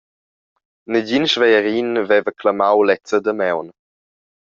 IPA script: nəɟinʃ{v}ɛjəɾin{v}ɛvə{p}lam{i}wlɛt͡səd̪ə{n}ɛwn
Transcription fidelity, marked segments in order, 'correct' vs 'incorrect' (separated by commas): correct, correct, incorrect, incorrect, incorrect